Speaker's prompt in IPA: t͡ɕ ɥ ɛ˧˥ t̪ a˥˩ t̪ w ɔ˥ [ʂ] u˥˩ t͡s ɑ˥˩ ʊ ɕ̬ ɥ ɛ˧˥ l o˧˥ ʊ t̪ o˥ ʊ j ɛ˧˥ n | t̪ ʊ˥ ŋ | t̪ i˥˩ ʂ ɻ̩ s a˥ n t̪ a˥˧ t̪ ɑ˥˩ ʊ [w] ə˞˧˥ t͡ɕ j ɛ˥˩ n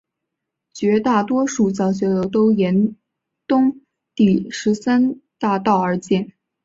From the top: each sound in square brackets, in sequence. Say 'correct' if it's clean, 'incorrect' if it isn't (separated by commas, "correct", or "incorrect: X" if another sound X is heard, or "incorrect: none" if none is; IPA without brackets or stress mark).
correct, incorrect: none